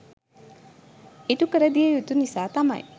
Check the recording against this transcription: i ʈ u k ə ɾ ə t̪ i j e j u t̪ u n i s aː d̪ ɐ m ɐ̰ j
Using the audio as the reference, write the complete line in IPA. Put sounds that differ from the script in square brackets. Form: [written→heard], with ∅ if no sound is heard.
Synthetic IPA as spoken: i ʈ u k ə ɾ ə [t̪→d̪] i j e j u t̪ u n i s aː [d̪→t̪] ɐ m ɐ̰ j